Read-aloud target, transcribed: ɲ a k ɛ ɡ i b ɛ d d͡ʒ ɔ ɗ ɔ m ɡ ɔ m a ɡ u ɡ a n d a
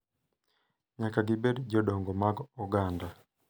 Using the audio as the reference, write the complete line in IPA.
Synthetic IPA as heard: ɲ a k a ɡ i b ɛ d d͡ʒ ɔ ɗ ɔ ŋ ɡ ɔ m a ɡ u ɡ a n d a